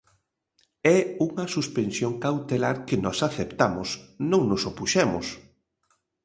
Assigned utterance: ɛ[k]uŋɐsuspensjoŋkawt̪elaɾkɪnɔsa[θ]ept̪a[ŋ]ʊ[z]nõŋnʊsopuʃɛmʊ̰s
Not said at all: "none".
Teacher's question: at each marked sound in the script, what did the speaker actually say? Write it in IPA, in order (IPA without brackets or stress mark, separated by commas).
none, θ, m, s